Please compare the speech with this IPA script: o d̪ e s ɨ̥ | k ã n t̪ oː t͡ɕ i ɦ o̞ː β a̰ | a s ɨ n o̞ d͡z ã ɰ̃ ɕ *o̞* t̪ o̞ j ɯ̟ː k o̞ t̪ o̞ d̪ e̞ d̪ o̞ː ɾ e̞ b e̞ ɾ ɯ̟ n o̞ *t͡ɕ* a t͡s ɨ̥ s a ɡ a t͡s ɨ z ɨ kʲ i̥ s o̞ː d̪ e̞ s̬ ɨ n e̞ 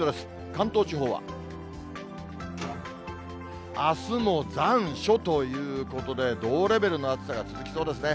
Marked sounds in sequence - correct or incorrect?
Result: correct, incorrect

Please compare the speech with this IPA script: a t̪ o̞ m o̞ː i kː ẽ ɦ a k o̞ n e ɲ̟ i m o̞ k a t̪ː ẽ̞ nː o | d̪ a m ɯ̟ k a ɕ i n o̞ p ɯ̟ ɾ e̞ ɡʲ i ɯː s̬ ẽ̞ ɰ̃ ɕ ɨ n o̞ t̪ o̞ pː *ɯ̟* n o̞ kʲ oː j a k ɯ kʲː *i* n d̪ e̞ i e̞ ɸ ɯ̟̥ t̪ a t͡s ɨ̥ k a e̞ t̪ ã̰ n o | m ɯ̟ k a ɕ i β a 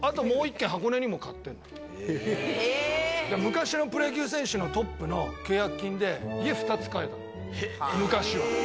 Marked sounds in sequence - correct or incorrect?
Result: correct, incorrect

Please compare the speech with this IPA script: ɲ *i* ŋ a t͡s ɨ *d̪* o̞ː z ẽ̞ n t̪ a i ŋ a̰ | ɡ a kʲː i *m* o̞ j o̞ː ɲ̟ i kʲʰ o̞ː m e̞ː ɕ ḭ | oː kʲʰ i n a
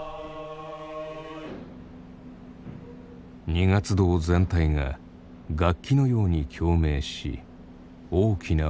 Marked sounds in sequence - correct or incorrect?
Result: correct, correct, incorrect

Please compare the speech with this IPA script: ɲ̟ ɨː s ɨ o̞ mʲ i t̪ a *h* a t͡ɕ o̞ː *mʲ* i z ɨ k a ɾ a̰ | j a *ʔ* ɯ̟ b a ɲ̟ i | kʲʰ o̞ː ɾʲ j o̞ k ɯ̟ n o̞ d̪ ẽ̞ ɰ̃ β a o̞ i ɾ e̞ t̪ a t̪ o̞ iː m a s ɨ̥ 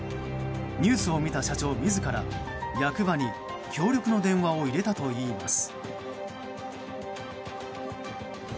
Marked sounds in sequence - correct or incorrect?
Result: incorrect, correct, incorrect

